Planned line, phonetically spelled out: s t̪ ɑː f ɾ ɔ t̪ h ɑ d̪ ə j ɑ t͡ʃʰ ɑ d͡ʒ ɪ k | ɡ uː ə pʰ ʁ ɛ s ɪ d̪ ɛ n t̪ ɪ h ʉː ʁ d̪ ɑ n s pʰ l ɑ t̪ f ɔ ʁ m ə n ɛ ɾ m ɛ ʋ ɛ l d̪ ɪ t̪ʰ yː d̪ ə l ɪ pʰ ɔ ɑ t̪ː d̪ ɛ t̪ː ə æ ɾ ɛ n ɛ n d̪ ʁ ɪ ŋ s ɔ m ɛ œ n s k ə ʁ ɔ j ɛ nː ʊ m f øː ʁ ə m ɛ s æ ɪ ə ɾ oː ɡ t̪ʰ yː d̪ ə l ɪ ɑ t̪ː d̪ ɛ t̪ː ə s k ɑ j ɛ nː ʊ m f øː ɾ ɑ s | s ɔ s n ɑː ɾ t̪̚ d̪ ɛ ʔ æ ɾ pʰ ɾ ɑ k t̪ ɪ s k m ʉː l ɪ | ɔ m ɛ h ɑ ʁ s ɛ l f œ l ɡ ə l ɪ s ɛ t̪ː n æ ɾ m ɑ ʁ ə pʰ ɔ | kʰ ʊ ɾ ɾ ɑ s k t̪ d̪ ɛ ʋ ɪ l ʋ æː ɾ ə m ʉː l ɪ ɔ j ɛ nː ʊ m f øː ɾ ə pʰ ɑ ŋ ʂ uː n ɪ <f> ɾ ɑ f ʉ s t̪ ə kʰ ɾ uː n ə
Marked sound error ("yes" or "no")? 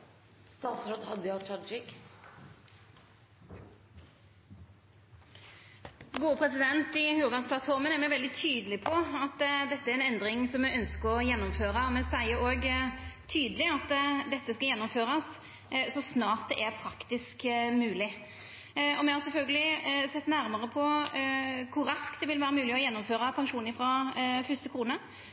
no